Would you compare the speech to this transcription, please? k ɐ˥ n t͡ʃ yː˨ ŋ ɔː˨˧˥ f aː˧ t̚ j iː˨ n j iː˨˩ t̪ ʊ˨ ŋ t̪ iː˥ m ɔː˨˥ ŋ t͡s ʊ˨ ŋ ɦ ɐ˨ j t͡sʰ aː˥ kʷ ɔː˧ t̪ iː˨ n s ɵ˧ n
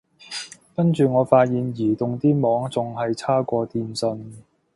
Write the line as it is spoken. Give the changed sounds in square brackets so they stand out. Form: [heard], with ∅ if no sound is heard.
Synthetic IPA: k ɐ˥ n t͡ʃ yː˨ ŋ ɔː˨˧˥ f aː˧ t̚ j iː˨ n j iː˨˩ t̪ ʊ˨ ŋ t̪ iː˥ m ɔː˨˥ ŋ t͡s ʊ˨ ŋ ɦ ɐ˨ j t͡sʰ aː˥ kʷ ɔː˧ t̪ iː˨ n s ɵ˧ n